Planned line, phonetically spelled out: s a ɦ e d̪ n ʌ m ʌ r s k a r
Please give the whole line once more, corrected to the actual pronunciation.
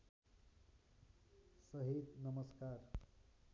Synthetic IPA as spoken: s ʌ ɦ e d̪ n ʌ m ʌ s k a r